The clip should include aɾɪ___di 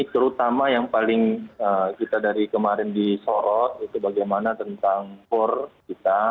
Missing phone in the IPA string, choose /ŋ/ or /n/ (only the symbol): n